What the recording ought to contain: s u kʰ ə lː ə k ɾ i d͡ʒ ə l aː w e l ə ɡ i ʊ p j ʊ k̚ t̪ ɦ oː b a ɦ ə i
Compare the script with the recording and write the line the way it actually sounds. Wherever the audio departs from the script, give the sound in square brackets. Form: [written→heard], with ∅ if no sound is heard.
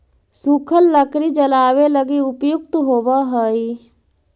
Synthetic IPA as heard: s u kʰ ə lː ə k ɾ i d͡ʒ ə l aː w e l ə ɡ i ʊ p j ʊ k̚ t̪ ɦ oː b a ɦ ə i